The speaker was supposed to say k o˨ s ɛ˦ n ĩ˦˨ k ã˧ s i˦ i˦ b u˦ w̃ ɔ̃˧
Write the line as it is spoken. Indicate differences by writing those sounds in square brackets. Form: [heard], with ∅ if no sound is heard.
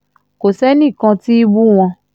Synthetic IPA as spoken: k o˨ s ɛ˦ n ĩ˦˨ k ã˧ [t] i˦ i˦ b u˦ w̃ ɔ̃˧